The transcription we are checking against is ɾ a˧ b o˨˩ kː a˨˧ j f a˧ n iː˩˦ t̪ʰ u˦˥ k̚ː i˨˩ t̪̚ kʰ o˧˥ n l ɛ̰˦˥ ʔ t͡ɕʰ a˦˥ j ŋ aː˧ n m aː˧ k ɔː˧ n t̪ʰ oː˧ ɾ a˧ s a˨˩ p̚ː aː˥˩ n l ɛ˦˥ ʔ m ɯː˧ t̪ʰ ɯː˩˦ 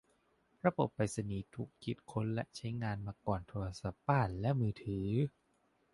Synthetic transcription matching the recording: ɾ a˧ b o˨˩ pː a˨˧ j s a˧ n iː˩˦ t̪ʰ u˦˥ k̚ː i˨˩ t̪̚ kʰ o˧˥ n l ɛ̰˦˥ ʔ t͡ɕʰ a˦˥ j ŋ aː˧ n m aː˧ k ɔː˨˩ n t̪ʰ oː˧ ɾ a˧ s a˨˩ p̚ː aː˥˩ n l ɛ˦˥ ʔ m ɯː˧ t̪ʰ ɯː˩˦